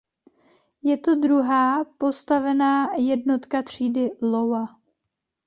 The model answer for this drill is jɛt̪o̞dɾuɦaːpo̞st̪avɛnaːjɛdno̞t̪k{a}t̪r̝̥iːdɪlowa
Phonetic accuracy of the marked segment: correct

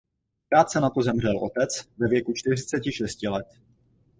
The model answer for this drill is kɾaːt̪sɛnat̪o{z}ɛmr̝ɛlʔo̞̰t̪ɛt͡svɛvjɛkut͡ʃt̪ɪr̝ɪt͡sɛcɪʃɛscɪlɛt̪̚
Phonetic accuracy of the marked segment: correct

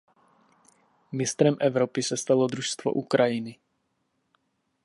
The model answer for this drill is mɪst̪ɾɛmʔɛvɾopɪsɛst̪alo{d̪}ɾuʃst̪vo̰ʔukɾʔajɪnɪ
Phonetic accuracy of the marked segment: correct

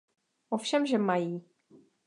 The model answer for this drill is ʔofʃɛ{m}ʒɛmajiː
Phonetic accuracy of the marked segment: correct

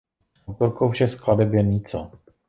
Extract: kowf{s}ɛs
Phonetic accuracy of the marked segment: incorrect: ʃ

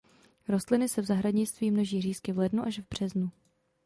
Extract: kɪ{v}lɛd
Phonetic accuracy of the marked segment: correct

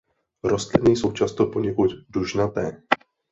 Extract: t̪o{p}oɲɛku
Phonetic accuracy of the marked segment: correct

